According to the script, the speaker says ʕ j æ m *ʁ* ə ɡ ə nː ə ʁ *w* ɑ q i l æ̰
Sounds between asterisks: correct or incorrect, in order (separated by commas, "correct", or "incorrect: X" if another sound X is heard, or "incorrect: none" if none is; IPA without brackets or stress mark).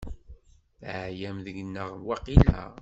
incorrect: ð, correct